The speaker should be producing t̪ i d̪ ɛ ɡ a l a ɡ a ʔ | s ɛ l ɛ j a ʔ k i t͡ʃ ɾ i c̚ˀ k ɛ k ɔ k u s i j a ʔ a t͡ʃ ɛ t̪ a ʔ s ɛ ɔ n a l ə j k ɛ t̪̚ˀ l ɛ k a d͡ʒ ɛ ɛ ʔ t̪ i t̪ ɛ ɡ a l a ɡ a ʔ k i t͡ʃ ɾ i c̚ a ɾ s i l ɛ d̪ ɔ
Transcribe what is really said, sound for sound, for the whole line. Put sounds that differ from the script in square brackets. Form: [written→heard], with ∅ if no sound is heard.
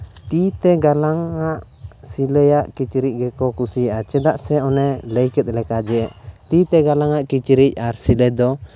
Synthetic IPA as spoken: t̪ i [d̪→t̪] ɛ ɡ a l a [ɡ→ŋ] a ʔ | s [ɛ→i] l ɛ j a ʔ k i t͡ʃ ɾ i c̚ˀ [k→ɡ] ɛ k ɔ k u s i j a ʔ a t͡ʃ ɛ [t̪→d̪] a ʔ s ɛ ɔ n [a→ɛ] l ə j k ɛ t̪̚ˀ l ɛ k a d͡ʒ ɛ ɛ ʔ t̪ i t̪ ɛ ɡ a l a [ɡ→ŋ] a ʔ k i t͡ʃ ɾ i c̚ a ɾ s i l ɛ d̪ ɔ

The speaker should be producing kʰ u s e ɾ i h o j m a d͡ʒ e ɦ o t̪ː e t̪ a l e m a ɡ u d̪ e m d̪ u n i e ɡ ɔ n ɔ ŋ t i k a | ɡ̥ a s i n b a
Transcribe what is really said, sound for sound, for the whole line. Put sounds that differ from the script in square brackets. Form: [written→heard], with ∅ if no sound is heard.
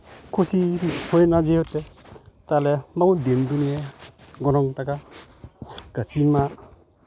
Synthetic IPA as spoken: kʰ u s [e→i] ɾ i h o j [m→n] a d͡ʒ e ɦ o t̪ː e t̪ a l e m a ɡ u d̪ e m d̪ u n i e ɡ ɔ n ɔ ŋ t [i→a] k a | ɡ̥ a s i n [b→m] a

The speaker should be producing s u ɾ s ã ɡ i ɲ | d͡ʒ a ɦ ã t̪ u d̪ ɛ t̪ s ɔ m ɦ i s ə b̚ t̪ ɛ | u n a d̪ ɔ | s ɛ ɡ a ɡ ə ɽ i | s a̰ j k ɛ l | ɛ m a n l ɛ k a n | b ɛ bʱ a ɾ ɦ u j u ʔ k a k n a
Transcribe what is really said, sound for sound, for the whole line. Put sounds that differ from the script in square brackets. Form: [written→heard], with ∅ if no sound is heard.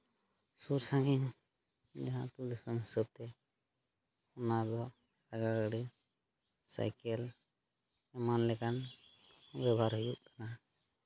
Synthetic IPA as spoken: s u ɾ s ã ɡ i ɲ | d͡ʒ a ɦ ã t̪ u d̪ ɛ [t̪→∅] s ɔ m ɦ i s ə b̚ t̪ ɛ | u n a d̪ ɔ | s [ɛ→a] ɡ a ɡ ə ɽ i | s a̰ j k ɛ l | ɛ m a n l ɛ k a n | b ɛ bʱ a ɾ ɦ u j u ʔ k a [k→∅] n a

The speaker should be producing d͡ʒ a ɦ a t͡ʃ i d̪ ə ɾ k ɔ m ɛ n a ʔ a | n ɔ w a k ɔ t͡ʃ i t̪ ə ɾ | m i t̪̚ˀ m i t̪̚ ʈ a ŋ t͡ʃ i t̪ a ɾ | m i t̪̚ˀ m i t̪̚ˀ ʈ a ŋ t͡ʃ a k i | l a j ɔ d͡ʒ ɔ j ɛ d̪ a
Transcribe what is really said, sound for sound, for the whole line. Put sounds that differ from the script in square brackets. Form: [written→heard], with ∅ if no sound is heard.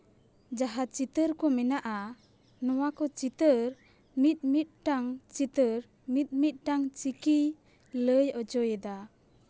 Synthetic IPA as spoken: d͡ʒ a ɦ a t͡ʃ i [d̪→t̪] ə ɾ k ɔ m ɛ n a ʔ a | n ɔ w a k ɔ t͡ʃ i t̪ ə ɾ | m i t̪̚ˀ m i t̪̚ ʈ a ŋ t͡ʃ i t̪ [a→ə] ɾ | m i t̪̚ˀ m i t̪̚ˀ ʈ a ŋ t͡ʃ [a→i] k i | l [a→ə] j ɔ d͡ʒ ɔ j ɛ d̪ a

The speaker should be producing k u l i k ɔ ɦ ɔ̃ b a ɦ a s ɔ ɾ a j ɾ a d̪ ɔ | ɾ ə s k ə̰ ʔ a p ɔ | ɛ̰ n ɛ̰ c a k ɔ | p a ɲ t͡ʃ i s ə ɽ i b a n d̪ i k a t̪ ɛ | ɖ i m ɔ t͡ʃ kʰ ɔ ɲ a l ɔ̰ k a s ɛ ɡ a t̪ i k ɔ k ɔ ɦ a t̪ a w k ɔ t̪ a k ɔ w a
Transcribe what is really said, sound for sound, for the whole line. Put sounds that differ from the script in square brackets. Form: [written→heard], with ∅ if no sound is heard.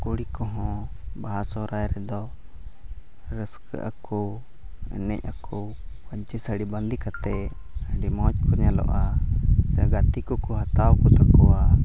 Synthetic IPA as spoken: k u [l→ɽ] i k ɔ ɦ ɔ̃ b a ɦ a s ɔ ɾ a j ɾ [a→ɛ] d̪ ɔ | ɾ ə s k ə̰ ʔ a [p→k] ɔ | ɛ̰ n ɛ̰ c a k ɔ | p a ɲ t͡ʃ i s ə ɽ i b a n d̪ i k a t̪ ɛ | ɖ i m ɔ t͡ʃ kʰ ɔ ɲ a l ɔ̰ [k→ʔ] a s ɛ ɡ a t̪ i k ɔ k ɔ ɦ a t̪ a w k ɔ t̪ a k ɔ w a

